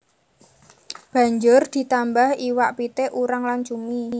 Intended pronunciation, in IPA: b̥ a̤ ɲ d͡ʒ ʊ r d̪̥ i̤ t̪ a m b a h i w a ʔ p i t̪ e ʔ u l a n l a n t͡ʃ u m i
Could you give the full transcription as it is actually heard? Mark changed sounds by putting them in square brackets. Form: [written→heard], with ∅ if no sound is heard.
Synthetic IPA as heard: b̥ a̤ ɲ d͡ʒ ʊ r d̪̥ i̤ t̪ a m b a h i w a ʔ p i t̪ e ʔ u [l→ɾ] a [n→ŋ] l a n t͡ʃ u m i